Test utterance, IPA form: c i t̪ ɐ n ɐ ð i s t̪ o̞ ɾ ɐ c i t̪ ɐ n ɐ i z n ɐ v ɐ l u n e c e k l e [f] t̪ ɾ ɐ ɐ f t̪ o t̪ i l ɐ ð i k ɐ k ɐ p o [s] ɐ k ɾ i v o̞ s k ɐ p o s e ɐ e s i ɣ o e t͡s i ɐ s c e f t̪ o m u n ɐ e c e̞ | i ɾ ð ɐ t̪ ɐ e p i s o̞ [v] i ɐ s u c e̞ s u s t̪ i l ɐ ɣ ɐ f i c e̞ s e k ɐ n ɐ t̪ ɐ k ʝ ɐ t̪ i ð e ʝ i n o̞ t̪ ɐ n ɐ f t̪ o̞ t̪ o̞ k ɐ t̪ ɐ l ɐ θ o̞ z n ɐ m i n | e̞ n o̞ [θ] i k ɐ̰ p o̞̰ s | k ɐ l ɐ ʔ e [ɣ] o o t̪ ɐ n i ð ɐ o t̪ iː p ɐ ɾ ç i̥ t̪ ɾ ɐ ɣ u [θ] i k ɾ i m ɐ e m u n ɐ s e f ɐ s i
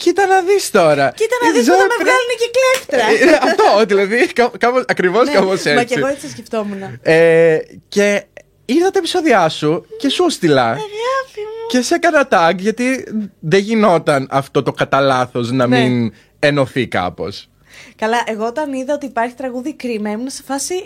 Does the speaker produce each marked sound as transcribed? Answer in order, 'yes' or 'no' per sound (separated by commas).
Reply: yes, yes, no, yes, yes, no